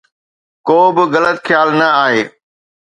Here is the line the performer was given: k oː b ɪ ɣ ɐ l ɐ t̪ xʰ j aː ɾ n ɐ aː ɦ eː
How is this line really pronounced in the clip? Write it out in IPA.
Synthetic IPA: k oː b ɪ ɣ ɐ l ə t̪ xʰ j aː l n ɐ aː ɦ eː